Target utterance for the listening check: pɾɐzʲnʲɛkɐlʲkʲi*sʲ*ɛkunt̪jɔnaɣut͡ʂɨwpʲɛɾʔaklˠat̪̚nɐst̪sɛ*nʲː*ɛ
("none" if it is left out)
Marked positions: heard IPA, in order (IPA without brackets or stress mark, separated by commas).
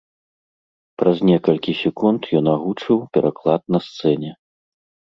sʲ, nʲ